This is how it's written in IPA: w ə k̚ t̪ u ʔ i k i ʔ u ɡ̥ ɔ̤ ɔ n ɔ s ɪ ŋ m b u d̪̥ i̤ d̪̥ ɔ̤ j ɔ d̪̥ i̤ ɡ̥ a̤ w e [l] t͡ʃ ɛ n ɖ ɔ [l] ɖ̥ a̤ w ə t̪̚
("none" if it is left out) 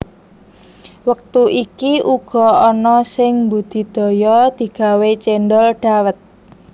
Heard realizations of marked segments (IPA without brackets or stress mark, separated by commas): none, l